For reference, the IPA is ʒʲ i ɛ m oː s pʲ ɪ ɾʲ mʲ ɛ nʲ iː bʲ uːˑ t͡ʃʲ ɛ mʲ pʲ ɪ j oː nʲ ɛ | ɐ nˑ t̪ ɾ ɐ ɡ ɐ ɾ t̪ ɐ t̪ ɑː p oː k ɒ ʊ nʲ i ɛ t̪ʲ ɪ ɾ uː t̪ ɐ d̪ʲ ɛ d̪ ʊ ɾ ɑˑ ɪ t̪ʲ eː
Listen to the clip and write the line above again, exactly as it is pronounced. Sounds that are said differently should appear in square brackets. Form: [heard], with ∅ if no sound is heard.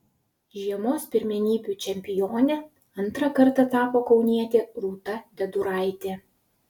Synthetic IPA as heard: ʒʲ i ɛ m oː s pʲ ɪ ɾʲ mʲ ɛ nʲ iː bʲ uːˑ t͡ʃʲ ɛ mʲ pʲ ɪ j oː nʲ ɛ | ɐ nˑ t̪ ɾ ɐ [k] ɐ ɾ t̪ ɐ t̪ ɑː p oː k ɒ ʊ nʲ i ɛ t̪ʲ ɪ ɾ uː t̪ ɐ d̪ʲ ɛ d̪ ʊ ɾ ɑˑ ɪ t̪ʲ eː